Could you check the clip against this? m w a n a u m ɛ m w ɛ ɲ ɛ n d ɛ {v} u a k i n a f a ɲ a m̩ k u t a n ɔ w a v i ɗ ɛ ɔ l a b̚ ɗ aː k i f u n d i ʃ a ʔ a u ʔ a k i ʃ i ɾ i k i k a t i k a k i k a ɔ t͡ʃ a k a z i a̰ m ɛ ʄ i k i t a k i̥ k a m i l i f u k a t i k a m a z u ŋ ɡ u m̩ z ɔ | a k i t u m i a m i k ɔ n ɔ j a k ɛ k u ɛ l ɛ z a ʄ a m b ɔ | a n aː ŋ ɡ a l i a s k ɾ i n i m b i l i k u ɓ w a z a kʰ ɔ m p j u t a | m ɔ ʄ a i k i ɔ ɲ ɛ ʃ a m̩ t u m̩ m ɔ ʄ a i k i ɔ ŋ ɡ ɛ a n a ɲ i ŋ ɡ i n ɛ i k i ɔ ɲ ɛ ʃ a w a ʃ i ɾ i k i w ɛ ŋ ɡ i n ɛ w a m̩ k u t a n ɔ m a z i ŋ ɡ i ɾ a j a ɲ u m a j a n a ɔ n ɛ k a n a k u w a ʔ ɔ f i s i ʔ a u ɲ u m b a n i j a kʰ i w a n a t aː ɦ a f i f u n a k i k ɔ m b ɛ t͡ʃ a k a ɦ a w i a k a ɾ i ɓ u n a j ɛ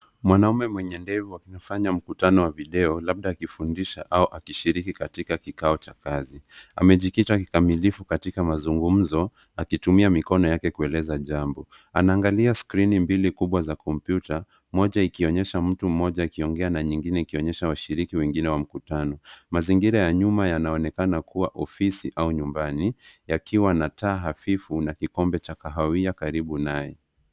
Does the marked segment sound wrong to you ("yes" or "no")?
no